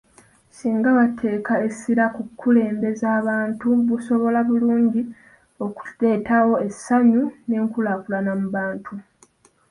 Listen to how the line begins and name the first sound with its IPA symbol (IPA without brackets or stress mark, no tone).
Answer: s